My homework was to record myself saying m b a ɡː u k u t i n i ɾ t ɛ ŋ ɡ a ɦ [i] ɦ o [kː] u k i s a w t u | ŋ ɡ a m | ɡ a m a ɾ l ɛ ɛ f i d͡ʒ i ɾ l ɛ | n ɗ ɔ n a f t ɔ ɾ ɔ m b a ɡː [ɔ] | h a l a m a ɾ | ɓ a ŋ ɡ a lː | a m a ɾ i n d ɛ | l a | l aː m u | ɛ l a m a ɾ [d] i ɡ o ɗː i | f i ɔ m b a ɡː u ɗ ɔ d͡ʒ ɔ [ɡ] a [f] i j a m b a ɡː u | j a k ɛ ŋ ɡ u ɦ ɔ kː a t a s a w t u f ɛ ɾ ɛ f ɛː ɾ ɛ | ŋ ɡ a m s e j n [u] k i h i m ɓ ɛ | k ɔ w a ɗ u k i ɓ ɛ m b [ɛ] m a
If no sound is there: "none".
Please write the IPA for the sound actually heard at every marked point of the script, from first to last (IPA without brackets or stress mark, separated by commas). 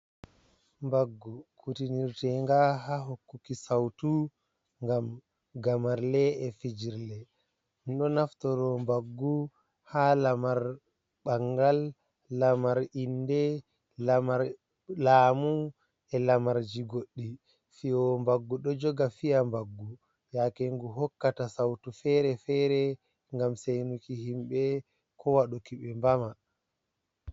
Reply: a, kː, u, d͡ʒ, ɡ, f, u, a